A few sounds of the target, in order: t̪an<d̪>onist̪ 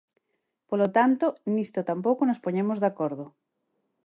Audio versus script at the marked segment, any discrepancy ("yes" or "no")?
yes